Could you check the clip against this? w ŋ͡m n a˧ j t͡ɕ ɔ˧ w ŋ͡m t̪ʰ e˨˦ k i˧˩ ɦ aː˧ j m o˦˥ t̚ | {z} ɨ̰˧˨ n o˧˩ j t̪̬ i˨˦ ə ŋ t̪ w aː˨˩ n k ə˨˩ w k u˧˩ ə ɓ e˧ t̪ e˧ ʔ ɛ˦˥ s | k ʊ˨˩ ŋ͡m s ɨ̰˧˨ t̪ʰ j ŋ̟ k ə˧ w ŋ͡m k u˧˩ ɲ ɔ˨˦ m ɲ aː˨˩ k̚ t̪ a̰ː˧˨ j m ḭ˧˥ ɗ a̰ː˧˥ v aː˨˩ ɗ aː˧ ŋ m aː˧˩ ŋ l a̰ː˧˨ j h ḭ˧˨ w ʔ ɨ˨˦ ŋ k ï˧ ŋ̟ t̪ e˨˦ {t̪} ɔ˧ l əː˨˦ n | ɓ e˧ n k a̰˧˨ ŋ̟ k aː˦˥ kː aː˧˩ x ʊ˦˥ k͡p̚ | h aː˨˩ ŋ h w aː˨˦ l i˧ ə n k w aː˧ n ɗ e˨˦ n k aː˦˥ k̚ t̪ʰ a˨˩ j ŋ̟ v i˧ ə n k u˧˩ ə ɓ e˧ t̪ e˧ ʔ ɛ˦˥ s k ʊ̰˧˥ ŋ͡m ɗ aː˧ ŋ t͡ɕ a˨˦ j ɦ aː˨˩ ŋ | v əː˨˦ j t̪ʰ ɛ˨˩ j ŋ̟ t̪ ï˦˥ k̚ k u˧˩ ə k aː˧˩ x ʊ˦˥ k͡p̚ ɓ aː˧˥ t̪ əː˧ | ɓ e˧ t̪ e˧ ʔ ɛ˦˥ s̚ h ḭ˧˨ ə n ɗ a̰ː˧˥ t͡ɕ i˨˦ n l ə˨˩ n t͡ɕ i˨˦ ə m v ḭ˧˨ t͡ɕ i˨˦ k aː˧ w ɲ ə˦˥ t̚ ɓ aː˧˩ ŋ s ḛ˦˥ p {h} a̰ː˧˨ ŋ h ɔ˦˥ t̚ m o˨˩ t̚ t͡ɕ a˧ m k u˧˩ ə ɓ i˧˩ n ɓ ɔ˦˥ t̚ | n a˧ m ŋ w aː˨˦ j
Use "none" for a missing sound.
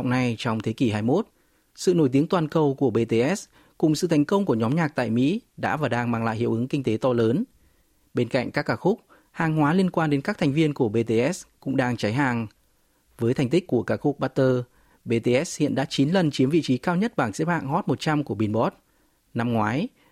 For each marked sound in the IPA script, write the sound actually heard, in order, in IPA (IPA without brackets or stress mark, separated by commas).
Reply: s, t̪, h